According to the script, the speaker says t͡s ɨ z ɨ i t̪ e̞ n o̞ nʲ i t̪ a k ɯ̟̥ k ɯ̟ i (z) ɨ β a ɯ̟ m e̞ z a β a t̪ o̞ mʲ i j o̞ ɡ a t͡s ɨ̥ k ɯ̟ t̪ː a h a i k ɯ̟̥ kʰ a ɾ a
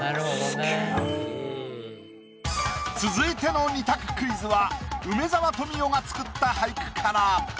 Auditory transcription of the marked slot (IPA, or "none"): z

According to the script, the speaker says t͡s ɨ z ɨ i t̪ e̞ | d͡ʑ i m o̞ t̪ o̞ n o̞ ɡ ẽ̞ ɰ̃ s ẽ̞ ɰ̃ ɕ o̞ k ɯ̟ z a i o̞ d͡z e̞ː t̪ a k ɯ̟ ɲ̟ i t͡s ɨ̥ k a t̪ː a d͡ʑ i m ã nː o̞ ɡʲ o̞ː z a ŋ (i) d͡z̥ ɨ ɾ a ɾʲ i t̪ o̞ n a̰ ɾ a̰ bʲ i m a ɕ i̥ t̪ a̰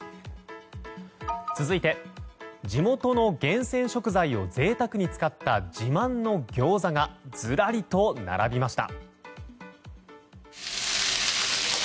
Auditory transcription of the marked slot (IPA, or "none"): a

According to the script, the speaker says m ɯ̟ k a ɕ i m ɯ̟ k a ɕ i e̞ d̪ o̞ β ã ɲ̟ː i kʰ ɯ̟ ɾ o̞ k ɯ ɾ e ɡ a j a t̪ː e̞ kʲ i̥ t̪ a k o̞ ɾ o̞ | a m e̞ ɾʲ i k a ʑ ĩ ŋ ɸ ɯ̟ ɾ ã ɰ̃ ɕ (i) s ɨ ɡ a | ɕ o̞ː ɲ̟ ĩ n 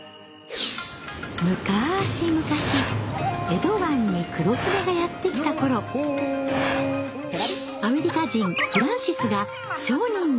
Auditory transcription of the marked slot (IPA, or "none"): i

